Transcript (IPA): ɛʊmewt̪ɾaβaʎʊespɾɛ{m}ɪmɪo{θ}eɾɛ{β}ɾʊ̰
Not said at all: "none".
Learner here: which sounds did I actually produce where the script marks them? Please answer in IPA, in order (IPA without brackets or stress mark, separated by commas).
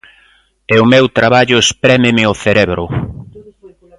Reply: m, θ, β